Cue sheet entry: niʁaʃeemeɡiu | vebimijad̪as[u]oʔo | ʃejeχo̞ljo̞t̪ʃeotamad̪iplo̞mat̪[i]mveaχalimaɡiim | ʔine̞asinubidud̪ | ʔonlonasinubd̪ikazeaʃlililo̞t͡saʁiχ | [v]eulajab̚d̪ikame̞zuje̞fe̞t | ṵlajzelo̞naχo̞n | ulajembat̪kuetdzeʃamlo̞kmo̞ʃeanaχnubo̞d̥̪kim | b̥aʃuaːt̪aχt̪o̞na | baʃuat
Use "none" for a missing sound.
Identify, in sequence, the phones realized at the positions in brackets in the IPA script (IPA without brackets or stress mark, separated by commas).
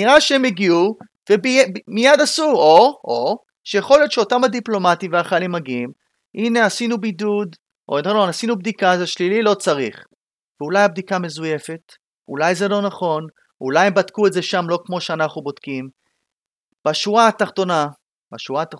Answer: u, i, v